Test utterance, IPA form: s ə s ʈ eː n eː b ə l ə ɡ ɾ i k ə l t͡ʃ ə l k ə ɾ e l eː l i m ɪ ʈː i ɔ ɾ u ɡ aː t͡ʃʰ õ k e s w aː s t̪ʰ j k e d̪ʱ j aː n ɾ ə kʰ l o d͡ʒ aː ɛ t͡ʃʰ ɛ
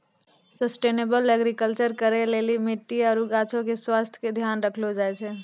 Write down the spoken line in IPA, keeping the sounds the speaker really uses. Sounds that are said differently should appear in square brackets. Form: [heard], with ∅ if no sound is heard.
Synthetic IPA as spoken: s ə s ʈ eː n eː b ə l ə ɡ ɾ i k ə l t͡ʃ ə [ɾ] k ə ɾ e l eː l i m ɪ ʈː i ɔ ɾ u ɡ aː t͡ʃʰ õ k e s w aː s t̪ʰ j k e d̪ʱ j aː n ɾ ə kʰ l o d͡ʒ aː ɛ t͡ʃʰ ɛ